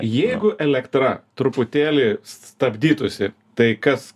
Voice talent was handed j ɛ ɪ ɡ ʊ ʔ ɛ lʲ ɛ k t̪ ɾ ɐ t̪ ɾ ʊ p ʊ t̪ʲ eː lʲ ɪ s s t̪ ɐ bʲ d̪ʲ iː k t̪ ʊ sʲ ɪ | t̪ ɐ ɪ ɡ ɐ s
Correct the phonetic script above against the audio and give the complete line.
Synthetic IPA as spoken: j ɛ ɪ ɡ ʊ ʔ ɛ lʲ ɛ k t̪ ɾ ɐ t̪ ɾ ʊ p ʊ t̪ʲ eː lʲ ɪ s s t̪ ɐ bʲ d̪ʲ iː t̪ ʊ sʲ ɪ | t̪ ɐ ɪ k ɐ s